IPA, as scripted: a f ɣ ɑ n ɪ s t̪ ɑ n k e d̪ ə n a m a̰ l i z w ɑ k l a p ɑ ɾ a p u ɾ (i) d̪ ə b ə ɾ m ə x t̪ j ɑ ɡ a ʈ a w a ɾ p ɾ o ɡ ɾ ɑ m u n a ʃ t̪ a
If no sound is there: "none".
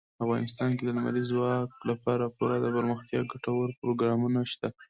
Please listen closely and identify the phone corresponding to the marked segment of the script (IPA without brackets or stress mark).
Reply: a